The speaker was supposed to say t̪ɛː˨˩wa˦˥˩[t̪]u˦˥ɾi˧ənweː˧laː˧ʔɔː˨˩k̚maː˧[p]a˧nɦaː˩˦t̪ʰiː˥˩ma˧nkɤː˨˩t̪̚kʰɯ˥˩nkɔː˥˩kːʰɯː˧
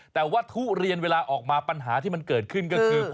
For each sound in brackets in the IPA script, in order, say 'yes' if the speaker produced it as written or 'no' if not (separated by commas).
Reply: no, yes